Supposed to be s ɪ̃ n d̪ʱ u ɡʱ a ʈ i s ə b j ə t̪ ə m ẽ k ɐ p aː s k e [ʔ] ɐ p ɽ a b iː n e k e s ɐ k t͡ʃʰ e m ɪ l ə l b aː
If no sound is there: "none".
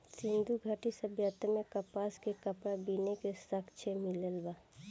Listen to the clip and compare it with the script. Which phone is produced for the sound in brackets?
k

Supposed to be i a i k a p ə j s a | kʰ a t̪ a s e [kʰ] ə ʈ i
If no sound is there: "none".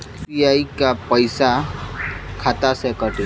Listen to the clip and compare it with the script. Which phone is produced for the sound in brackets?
k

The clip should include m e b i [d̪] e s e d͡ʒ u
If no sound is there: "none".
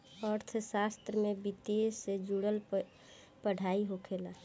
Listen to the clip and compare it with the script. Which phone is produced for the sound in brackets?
t̪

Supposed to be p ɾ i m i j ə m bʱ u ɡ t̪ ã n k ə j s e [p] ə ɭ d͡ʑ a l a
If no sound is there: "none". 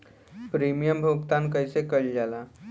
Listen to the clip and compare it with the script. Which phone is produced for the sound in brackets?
k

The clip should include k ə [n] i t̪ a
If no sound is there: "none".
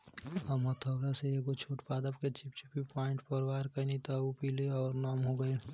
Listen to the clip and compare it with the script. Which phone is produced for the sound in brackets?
n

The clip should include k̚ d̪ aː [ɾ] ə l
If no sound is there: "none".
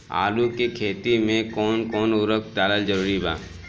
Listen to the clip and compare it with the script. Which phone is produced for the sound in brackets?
l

